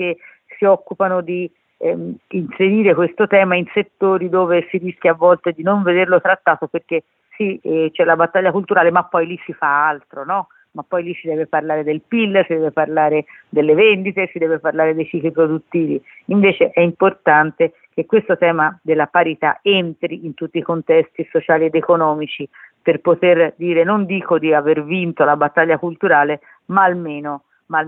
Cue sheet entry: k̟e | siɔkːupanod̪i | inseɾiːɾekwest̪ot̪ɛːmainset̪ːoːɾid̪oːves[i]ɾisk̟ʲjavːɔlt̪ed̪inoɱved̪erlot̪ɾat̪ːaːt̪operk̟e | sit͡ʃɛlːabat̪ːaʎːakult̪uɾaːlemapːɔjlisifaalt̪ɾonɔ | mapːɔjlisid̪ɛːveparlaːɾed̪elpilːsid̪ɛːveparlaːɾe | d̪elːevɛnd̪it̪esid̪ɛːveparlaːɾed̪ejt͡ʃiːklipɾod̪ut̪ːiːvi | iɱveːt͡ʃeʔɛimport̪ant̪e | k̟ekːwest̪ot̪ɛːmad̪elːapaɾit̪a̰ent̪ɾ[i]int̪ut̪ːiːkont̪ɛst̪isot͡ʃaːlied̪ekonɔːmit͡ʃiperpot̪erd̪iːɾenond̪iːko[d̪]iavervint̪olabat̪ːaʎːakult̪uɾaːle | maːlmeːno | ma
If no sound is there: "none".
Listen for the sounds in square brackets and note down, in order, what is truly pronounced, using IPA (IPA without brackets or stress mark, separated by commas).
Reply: i, i, d̪